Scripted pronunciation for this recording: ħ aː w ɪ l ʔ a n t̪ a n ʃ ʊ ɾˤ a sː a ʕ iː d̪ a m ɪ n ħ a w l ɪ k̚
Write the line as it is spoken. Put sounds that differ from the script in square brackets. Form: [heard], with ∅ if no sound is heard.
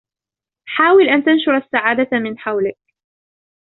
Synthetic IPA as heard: ħ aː w ɪ l ʔ a n t̪ a n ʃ ʊ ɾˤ a sː a ʕ [aː] d̪ a m ɪ n ħ a w l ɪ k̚